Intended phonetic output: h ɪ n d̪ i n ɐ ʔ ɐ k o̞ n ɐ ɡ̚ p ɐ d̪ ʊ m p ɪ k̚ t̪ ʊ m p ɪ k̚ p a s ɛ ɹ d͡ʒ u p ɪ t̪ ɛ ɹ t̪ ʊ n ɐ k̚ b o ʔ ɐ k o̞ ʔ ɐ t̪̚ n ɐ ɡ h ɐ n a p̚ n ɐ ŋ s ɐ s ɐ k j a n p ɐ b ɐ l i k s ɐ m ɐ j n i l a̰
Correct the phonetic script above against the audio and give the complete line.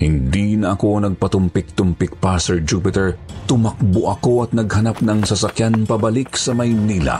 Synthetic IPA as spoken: h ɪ n d̪ i n ɐ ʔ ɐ k o̞ n ɐ ɡ̚ p ɐ t̪ ʊ m p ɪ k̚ t̪ ʊ m p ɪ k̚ p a s ɛ ɹ d͡ʒ u p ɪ t̪ ɛ ɹ t̪ ʊ m ɐ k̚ b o ʔ ɐ k o̞ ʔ ɐ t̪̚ n ɐ ɡ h ɐ n a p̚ n ɐ ŋ s ɐ s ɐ k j a n p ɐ b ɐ l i k s ɐ m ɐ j n i l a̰